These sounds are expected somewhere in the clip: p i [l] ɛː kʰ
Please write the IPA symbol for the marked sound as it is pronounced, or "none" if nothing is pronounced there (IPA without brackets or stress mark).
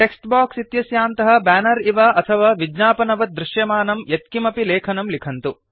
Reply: l